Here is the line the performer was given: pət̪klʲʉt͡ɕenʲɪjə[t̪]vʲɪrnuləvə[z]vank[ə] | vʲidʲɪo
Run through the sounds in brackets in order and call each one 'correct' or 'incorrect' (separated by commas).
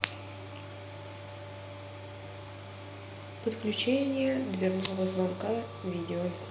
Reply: incorrect, correct, incorrect